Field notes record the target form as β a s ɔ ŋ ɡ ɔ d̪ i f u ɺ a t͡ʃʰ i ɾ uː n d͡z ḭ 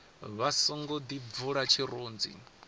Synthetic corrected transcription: β a s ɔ ŋ ɡ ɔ d̪ i v u ɺ a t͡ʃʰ i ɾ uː n d͡z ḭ